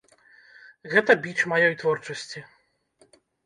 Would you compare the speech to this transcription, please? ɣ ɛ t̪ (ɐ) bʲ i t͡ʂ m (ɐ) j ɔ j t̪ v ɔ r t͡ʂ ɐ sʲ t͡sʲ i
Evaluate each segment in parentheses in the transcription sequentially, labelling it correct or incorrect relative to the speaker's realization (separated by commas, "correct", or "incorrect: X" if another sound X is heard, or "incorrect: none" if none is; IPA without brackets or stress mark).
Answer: correct, incorrect: a